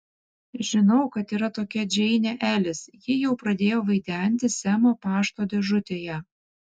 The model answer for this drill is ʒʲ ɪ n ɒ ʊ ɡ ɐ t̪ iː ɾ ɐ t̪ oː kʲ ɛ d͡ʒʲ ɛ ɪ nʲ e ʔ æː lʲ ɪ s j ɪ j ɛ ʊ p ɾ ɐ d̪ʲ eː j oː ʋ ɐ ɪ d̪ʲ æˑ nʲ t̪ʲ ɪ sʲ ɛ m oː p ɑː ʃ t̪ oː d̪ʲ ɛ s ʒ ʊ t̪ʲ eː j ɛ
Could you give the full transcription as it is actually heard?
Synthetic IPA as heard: ʒʲ ɪ n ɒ ʊ k ɐ t̪ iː ɾ ɐ t̪ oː kʲ ɛ d͡ʒʲ ɛ ɪ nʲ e ʔ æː lʲ ɪ s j ɪ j ɛ ʊ p ɾ ɐ d̪ʲ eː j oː ʋ ɐ ɪ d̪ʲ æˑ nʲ t̪ʲ ɪ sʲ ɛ m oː p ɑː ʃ t̪ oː d̪ʲ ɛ ʒ ʊ t̪ʲ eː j ɛ